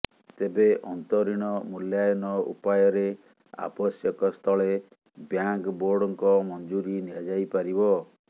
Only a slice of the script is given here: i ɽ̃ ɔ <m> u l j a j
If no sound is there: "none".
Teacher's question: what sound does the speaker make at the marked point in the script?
m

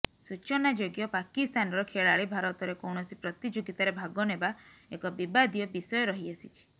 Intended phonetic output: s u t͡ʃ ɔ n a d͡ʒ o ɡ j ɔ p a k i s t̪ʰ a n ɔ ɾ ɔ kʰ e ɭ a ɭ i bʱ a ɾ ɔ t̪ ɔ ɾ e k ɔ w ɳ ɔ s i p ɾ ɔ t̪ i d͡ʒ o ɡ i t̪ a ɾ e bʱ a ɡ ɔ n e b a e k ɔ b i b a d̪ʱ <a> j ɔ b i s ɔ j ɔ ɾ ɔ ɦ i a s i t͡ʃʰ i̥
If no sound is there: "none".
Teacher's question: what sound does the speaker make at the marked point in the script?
i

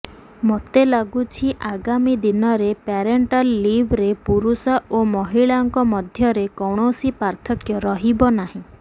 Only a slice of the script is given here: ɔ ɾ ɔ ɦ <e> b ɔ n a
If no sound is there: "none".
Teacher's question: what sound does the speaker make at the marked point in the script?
i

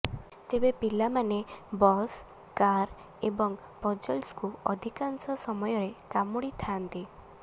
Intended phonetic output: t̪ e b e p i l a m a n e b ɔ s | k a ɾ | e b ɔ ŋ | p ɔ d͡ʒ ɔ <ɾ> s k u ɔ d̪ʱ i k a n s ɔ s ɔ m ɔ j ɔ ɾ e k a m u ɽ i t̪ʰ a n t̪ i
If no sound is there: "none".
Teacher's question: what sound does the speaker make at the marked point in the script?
l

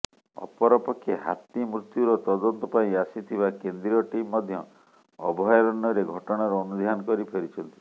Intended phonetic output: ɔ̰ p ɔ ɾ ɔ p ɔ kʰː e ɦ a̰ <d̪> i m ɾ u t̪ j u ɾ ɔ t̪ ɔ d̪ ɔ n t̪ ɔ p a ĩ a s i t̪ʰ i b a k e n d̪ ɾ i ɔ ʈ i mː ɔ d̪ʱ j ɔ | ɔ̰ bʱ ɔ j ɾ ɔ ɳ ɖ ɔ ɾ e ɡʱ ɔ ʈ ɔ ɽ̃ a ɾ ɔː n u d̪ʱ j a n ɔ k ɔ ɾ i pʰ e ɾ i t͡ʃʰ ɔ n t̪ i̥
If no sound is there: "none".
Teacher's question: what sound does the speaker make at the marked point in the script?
t̪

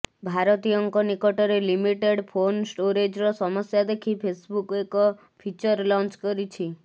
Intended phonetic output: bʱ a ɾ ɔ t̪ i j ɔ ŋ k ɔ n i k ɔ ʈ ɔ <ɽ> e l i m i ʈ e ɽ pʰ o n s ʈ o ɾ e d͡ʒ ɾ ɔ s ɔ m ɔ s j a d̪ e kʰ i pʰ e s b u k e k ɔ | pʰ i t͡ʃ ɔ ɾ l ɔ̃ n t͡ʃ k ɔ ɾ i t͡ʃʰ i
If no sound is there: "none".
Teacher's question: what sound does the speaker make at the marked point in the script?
ɾ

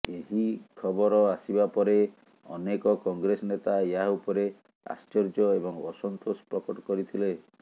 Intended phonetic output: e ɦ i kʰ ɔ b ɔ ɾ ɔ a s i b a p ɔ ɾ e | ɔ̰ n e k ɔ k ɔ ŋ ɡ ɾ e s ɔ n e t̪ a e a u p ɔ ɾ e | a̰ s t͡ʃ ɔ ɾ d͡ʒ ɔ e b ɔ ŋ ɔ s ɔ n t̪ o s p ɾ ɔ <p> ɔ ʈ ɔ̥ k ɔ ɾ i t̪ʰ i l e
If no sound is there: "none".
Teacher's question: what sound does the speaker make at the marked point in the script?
k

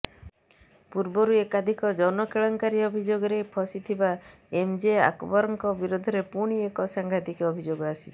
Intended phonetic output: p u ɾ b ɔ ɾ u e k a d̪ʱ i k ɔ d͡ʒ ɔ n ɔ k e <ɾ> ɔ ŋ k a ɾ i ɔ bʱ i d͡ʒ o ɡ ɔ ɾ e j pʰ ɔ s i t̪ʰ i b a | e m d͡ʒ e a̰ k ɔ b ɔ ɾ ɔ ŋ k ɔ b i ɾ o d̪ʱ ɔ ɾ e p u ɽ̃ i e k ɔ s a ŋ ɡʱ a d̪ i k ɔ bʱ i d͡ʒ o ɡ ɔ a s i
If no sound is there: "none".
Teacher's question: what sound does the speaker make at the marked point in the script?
ɭ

